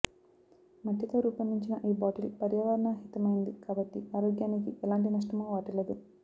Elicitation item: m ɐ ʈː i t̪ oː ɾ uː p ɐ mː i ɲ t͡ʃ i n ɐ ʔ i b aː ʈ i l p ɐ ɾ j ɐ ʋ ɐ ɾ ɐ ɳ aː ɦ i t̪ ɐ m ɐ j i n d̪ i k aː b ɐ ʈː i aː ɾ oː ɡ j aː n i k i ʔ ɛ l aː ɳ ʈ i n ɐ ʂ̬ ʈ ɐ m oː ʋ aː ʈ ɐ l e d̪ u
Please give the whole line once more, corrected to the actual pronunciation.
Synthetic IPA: m ɐ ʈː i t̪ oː ɾ uː p ɐ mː i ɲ t͡ʃ i n ɐ ʔ iː b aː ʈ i l p ɐ ɾ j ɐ ʋ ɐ ɾ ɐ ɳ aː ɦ i t̪ ɐ m ɐ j i n d̪ i k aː b ɐ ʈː i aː ɾ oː ɡ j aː n i k i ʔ ɛ l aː ɳ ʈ i n ɐ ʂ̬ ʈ ɐ m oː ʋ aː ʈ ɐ l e d̪ u

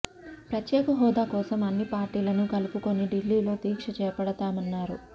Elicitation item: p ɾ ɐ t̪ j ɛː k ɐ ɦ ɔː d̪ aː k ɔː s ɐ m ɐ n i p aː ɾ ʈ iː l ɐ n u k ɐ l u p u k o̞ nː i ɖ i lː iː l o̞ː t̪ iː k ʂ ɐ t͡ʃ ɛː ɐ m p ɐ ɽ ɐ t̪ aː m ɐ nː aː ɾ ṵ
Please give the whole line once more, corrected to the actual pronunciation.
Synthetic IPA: p ɾ ɐ t̪ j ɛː k ɐ ɦ ɔː d̪ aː k ɔː s ɐ m ɐ nː i p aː ɾ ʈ iː l ɐ n u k ɐ l u p u k o̞ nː i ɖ i lː iː l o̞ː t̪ iː k ʂ ɐ t͡ʃ ɛː ɐ p ɐ ɽ ɐ t̪ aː m ɐ nː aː ɾ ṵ

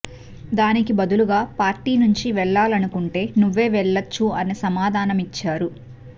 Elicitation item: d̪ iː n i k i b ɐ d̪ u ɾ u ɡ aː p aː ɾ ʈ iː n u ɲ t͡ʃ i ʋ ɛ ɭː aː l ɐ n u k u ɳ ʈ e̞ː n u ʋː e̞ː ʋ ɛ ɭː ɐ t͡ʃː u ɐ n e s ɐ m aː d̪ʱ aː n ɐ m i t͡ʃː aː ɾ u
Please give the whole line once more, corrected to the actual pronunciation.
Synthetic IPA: d̪ aː n i k i b ɐ d̪ u l u ɡ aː p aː ɾ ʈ iː n u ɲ t͡ʃ i ʋ ɛ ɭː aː l ɐ n u k u ɳ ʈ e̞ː n u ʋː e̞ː ʋ ɛ ɭː ɐ t͡ʃː u ɐ n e s ɐ m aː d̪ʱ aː n ɐ m i t͡ʃː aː ɾ u

